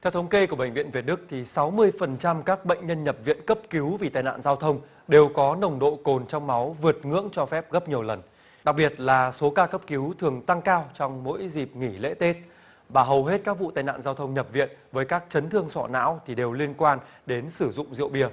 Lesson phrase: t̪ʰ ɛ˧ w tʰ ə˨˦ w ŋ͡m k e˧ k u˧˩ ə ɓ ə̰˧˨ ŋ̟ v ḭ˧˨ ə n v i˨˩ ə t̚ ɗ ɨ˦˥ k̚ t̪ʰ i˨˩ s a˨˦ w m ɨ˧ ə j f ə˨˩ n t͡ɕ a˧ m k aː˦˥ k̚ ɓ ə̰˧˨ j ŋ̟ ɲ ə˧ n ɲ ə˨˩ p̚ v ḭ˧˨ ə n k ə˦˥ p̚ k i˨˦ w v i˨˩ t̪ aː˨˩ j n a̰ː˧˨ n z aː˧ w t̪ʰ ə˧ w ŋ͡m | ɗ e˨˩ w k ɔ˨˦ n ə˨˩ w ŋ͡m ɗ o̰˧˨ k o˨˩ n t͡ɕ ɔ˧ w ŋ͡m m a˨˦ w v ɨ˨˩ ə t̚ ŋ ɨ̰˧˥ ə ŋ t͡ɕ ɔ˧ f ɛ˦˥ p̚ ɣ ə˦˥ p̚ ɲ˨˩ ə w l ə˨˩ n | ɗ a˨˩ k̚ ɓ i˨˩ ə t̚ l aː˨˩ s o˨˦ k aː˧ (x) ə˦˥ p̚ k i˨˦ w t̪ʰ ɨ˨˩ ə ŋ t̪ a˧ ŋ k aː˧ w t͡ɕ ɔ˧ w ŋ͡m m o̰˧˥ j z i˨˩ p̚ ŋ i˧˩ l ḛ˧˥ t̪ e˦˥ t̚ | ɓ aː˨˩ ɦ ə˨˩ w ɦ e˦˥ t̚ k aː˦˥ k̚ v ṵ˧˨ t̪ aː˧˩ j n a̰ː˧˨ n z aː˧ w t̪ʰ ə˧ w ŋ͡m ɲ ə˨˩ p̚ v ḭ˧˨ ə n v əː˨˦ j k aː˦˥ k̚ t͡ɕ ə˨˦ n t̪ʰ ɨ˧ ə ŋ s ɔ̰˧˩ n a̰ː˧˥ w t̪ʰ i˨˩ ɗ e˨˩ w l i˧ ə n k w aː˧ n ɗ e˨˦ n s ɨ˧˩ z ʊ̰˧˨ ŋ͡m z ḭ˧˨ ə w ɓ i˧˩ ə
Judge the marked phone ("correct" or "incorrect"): incorrect